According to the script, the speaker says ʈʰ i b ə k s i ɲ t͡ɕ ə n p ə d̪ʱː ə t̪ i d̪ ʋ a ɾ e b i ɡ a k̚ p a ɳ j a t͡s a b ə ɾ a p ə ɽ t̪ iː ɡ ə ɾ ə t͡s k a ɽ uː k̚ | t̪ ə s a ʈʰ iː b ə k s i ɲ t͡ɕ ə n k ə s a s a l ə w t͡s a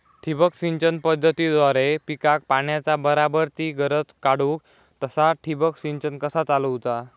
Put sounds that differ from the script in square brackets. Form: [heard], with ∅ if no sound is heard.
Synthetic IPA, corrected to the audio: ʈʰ i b ə k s i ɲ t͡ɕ ə n p ə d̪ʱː ə t̪ i d̪ ʋ a ɾ e [p] i [k] a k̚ p a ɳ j a t͡s a b ə ɾ a [b] ə [ɾ] t̪ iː ɡ ə ɾ ə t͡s k a ɽ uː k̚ | t̪ ə s a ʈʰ [i] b ə k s i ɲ t͡ɕ ə n k ə s a [t͡s] a l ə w t͡s a